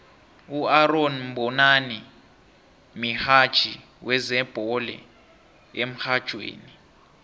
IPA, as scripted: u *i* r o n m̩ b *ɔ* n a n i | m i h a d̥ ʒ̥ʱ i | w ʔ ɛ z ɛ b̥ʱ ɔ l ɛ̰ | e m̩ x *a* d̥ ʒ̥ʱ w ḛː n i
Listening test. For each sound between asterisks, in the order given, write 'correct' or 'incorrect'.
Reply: incorrect: a, correct, correct

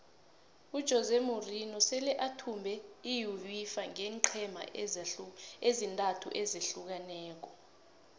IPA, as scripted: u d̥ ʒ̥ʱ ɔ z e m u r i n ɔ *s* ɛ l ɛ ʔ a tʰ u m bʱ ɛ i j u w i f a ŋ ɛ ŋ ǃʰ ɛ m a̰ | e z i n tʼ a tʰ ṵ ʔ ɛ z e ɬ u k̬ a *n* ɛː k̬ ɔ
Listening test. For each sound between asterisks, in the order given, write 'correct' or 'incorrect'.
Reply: correct, correct

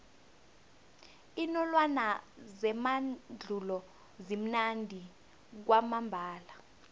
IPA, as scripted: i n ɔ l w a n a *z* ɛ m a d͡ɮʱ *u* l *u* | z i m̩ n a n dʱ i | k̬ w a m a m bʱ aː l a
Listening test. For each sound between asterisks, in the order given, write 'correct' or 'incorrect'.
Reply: correct, correct, incorrect: ɔ

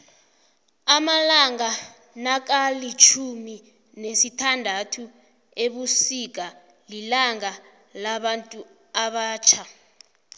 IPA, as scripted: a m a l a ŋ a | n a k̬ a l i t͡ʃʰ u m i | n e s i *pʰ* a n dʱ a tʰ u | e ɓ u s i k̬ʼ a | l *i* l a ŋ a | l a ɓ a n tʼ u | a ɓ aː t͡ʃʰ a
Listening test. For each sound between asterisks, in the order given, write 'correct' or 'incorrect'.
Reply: incorrect: tʰ, correct

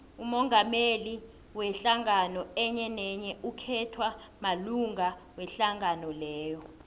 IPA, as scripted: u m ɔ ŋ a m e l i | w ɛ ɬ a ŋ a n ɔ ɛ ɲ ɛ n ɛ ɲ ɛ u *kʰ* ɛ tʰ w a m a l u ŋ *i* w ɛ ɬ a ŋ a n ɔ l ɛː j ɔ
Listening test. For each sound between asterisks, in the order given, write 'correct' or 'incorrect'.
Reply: correct, incorrect: a

